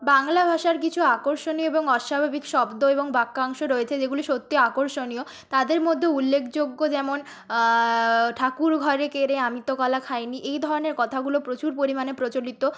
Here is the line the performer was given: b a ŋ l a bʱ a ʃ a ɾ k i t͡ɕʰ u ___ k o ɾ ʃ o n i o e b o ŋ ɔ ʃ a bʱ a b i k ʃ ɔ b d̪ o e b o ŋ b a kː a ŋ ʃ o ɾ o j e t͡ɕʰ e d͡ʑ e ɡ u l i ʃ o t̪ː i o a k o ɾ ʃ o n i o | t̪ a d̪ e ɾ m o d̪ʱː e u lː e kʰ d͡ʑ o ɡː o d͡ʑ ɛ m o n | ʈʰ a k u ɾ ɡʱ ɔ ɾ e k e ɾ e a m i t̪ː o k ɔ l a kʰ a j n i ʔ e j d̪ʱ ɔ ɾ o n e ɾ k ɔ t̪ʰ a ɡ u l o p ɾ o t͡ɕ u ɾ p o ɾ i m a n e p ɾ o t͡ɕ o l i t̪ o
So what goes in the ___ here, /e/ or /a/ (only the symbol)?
a